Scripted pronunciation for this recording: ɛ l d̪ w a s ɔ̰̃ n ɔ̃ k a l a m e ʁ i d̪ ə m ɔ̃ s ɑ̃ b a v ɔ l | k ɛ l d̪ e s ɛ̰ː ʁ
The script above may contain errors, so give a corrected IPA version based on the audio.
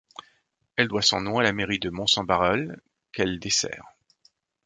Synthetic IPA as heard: ɛ l d̪ w a s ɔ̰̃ n ɔ̃ a l a m e ʁ i d̪ ə m ɔ̃ s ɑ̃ b a ʁ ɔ l | k ɛ l d̪ e s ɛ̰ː ʁ